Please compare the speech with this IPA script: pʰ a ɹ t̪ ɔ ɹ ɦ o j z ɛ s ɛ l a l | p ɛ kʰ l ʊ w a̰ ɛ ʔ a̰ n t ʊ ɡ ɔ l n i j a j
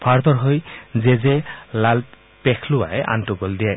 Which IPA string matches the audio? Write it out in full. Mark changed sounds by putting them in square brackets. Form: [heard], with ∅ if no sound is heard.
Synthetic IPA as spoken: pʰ a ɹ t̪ ɔ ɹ ɦ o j z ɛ [z] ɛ l a l | p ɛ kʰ l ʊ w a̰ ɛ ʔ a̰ n t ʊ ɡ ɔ l [d] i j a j